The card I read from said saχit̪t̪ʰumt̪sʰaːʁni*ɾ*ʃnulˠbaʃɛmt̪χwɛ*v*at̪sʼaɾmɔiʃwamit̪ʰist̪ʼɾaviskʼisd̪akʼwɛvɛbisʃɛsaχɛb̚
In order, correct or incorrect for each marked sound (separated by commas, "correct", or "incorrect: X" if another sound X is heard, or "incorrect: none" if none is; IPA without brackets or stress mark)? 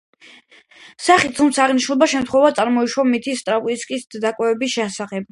incorrect: none, correct